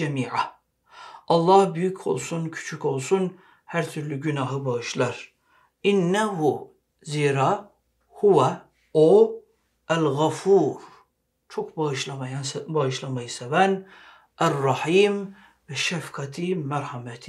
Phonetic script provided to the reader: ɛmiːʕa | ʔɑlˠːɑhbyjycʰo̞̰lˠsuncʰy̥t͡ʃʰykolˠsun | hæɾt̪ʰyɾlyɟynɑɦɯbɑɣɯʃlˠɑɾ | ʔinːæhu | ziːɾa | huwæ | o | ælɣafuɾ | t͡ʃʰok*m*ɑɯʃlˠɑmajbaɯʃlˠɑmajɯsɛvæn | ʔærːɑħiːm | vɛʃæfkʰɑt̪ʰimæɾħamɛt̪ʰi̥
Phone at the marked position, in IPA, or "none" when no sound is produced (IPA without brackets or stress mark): b